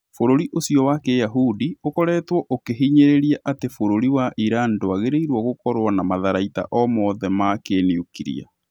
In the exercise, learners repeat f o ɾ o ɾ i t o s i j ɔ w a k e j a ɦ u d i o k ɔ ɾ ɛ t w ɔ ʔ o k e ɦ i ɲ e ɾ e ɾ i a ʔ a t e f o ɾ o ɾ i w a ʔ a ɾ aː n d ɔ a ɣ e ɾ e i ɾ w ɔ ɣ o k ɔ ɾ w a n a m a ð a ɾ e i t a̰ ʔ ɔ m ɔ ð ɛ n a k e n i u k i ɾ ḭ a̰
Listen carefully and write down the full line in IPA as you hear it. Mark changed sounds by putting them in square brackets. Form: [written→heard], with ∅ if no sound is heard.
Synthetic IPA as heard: f o ɾ o ɾ i [t→ʔ] o s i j ɔ w a k e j a ɦ u d i o k ɔ ɾ ɛ t w ɔ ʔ o k e ɦ i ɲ e ɾ e ɾ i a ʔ a t e f o ɾ o ɾ i w a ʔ [a→i] ɾ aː n d [ɔ→o] a ɣ e ɾ e i ɾ w ɔ ɣ o k ɔ ɾ w a n a m a ð a ɾ [e→a] i t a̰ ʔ ɔ m ɔ ð ɛ [n→m] a k e n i u k i ɾ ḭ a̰